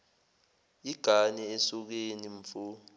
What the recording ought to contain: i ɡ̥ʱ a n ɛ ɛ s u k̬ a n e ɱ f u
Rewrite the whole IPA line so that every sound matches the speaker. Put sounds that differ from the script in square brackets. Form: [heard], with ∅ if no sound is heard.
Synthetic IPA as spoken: i ɡ̥ʱ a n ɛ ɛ s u k̬ [e] n [i] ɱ f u